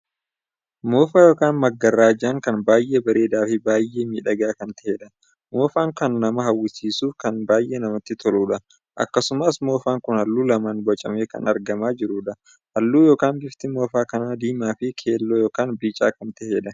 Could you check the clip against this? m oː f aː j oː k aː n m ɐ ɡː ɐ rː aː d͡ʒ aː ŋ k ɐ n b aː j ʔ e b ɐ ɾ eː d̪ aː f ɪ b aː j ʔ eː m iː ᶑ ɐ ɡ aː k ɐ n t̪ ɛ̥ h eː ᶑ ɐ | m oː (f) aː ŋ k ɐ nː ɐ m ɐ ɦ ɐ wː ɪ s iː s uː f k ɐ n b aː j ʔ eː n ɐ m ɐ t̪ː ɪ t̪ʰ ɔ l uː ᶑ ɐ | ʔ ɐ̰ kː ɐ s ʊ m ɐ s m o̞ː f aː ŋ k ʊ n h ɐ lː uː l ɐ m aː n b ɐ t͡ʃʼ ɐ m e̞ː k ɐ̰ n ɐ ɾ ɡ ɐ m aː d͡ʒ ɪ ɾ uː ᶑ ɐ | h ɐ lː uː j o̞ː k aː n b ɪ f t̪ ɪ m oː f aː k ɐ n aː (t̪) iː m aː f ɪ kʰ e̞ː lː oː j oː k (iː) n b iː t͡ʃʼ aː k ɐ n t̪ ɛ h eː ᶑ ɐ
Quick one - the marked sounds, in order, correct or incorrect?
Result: correct, incorrect, incorrect

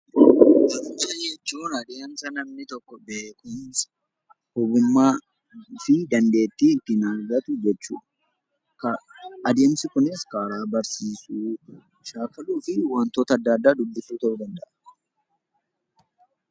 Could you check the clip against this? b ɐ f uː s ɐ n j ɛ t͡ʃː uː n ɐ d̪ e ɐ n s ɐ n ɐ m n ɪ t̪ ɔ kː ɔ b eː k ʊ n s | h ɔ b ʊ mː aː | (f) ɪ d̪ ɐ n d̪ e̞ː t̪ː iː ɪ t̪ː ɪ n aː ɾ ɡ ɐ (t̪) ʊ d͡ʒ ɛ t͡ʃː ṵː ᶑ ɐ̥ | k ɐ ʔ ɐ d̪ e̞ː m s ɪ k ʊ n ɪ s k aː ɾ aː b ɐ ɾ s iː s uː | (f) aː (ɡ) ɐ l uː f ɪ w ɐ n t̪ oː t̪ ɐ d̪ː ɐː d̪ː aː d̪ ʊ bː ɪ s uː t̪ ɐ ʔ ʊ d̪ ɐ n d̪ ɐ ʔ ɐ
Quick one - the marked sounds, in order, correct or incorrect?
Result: correct, correct, incorrect, incorrect

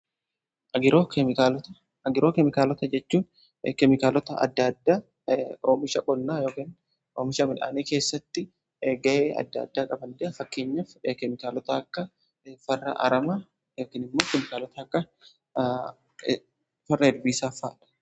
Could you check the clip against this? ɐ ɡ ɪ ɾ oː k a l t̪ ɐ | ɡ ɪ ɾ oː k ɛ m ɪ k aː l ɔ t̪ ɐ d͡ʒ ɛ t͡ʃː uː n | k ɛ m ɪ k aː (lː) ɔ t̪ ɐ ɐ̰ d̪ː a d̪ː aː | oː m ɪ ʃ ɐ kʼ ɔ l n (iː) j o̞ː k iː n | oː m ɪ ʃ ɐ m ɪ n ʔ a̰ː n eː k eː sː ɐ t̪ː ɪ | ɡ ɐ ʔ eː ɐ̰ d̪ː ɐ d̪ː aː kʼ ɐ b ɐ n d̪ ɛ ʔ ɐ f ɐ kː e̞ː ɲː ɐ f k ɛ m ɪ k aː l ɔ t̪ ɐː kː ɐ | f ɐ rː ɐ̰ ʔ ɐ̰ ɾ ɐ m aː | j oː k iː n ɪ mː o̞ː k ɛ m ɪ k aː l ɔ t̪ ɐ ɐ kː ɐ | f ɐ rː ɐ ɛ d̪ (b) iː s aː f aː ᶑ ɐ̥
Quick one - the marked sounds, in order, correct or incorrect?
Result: incorrect, incorrect, correct

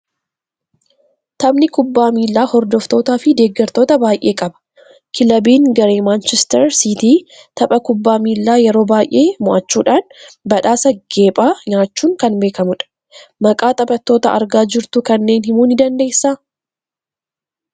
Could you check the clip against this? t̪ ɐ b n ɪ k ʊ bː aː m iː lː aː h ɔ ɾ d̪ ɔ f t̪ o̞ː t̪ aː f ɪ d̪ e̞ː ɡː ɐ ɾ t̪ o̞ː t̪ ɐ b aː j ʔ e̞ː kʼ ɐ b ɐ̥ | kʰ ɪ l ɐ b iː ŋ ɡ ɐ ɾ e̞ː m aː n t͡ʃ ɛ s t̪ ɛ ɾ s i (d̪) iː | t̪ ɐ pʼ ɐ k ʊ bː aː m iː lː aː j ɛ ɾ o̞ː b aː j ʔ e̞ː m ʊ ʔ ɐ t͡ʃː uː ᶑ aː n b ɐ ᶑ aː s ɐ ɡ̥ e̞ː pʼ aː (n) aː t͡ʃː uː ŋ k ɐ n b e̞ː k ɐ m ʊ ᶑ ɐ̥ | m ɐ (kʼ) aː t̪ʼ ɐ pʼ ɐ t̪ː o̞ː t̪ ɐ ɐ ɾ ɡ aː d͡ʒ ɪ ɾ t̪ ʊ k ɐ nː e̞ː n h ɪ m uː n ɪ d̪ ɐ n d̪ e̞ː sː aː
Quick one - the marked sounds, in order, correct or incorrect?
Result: incorrect, incorrect, correct

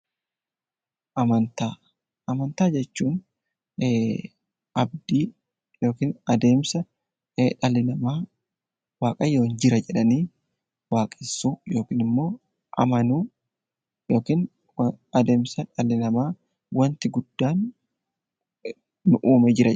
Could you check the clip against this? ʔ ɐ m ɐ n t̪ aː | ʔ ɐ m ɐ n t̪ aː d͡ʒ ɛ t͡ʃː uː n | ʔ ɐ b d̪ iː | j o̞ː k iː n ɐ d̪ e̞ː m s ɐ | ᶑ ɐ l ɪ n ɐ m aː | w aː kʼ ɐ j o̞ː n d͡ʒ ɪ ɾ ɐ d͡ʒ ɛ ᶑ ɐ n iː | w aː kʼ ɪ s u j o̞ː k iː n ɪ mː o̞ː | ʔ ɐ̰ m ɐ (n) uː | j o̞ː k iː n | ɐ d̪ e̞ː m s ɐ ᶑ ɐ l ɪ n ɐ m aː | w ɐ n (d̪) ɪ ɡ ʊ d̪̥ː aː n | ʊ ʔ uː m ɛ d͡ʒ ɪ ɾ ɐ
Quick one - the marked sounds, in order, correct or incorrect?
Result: correct, incorrect

